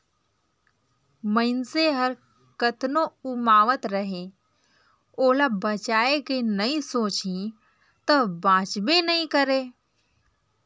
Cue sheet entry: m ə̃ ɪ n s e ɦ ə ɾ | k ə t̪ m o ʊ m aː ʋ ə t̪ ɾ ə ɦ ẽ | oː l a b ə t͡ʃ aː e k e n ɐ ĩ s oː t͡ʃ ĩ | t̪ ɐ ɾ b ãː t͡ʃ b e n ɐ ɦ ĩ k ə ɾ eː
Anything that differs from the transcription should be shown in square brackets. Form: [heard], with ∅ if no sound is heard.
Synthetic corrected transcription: m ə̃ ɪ n s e ɦ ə ɾ | k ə t̪ [n] o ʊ m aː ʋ ə t̪ ɾ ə ɦ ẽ | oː l a b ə t͡ʃ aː e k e n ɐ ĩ s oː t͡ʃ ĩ | t̪ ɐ [∅] b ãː t͡ʃ b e n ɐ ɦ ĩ k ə ɾ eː